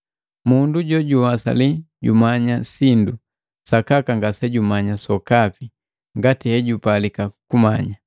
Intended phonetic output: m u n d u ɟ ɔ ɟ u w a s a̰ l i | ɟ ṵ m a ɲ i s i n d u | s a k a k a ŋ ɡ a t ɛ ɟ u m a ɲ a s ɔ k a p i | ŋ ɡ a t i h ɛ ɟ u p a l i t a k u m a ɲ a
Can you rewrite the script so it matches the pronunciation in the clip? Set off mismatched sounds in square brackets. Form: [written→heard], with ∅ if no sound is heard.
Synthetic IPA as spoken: m u n d u ɟ ɔ ɟ u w a s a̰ l i | ɟ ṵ m a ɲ [i→a] s i n d u | s a k a k a ŋ ɡ a [t→s] ɛ ɟ u m a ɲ a s ɔ k a p i | ŋ ɡ a t i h ɛ ɟ u p a l i [t→k] a k u m a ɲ a